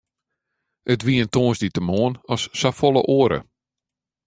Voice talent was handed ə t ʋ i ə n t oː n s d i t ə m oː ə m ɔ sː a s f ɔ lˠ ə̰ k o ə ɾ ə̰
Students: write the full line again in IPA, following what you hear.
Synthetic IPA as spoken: ə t ʋ i ə n t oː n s d i t ə m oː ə n ɔ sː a f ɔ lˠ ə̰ ʔ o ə ɾ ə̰